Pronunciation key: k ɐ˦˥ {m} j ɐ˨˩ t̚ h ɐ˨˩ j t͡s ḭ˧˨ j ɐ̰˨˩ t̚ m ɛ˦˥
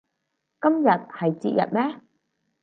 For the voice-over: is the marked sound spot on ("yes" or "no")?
yes